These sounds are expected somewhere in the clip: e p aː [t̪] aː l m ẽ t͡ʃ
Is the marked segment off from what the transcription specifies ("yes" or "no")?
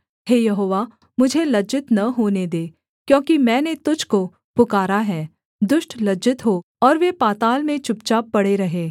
no